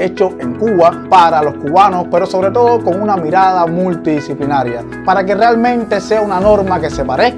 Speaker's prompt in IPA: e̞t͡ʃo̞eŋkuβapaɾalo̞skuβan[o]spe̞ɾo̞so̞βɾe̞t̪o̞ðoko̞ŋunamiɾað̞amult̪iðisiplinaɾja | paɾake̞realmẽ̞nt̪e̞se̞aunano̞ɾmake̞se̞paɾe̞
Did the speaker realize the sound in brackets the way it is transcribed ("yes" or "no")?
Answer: yes